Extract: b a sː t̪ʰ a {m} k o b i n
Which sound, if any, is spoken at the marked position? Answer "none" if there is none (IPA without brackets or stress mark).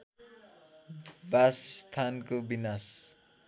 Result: n